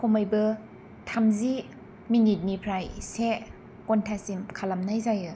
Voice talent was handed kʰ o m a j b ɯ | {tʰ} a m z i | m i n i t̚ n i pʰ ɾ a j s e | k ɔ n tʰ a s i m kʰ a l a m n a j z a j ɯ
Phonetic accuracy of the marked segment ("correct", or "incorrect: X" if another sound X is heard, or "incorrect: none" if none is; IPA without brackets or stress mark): correct